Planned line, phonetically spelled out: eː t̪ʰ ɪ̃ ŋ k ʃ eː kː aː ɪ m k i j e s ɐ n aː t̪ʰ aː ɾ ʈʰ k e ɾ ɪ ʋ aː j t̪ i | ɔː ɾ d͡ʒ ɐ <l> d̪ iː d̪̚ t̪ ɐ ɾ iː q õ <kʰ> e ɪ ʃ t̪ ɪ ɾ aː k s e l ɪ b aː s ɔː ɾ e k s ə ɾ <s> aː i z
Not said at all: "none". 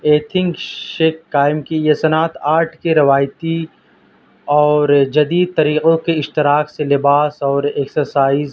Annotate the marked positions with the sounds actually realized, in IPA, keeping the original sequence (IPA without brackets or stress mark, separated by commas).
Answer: none, k, s